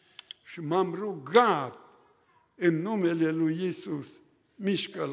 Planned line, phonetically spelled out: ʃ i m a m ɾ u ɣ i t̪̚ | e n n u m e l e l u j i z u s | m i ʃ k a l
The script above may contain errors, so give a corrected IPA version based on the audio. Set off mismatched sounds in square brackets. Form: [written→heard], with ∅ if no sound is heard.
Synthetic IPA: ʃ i m a m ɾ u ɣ [i→a] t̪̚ | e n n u m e l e l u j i [z→s] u s | m i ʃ k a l